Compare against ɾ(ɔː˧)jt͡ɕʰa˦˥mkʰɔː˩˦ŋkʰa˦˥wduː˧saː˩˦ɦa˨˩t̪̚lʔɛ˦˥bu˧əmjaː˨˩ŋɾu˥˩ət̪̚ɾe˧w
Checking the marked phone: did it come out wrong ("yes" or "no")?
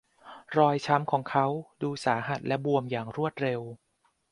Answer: no